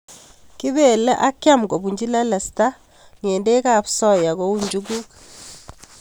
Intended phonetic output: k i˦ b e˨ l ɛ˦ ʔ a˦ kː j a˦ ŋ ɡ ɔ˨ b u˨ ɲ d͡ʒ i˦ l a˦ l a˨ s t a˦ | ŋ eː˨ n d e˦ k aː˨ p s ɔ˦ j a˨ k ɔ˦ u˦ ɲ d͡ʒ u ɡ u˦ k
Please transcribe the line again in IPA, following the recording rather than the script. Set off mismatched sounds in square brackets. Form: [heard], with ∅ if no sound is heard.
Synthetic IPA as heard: k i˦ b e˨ l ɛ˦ ʔ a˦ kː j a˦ [m] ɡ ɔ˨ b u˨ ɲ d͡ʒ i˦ l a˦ l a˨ s t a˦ | ŋ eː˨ n d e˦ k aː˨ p s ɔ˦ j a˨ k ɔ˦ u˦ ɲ d͡ʒ u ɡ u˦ k